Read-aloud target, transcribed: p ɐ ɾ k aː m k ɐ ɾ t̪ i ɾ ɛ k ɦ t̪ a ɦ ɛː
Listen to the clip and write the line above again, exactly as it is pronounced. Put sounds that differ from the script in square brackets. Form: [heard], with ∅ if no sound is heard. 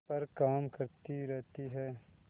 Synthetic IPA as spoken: p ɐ ɾ k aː m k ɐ ɾ t̪ i ɾ ɛ [∅] ɦ t̪ [i] ɦ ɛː